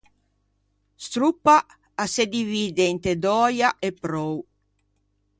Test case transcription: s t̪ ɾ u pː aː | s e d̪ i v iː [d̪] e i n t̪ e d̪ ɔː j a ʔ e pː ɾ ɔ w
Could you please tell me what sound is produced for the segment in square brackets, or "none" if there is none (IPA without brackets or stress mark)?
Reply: d̪